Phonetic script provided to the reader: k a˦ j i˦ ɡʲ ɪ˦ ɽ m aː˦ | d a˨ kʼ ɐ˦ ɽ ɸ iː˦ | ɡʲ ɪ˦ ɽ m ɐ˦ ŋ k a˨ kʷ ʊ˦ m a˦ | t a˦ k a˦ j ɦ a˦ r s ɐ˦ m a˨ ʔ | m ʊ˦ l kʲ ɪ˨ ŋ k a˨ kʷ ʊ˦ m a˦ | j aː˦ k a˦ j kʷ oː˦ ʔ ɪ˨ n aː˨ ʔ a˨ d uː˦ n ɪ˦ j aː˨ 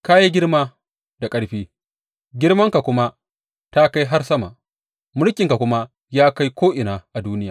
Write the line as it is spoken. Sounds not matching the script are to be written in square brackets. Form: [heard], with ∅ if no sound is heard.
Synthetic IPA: k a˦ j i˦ ɡʲ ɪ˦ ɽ m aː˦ | d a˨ kʼ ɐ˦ ɽ ɸ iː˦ | ɡʲ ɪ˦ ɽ m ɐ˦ ŋ k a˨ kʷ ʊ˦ m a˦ | t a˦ k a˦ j ɦ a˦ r s ɐ˦ m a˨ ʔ | m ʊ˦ l kʲ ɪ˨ ŋ k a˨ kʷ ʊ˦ m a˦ | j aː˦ k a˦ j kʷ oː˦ ʔ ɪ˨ n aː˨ ʔ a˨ d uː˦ n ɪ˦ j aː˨